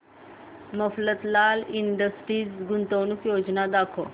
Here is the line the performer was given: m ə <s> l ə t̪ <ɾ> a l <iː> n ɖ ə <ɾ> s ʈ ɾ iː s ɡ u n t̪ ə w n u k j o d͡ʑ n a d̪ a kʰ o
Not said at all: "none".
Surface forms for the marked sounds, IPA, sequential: f, l, i, none

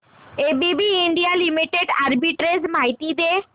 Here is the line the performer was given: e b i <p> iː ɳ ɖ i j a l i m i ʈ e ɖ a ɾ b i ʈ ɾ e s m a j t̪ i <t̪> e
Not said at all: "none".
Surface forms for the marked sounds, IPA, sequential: b, d̪

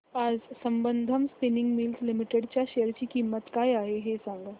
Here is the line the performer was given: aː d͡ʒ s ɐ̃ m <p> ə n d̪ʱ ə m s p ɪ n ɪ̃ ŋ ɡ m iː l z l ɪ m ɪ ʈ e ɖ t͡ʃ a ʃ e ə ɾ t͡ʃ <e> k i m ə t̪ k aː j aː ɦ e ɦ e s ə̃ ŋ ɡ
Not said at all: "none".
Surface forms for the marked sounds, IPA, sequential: b, i

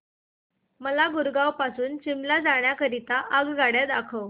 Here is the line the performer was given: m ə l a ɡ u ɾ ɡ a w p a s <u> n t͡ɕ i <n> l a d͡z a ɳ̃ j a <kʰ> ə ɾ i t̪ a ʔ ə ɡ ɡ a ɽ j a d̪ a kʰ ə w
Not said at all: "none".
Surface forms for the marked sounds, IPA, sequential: uː, m, k

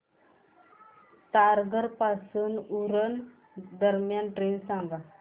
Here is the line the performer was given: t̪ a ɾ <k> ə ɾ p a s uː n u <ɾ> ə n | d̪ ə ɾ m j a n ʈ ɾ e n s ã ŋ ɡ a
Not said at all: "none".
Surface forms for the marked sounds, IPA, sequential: ɡ, ɾ

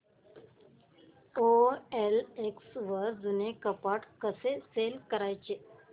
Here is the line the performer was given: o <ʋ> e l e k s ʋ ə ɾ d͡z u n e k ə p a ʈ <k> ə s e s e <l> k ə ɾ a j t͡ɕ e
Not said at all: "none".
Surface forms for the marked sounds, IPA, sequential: none, k, l

